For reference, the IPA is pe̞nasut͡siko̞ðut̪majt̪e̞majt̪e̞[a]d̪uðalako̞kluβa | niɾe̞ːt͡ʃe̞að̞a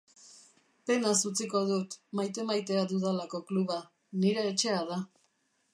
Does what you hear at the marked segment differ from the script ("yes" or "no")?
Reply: no